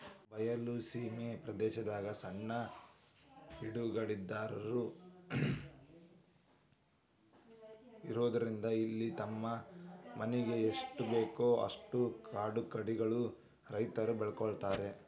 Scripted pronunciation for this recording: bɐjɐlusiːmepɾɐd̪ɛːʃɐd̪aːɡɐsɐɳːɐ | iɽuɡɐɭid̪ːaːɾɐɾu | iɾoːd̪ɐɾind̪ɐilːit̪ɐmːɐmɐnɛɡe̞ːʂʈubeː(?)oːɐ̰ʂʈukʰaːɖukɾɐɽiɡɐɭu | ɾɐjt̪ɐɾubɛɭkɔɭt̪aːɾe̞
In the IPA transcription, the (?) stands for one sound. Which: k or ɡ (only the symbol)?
k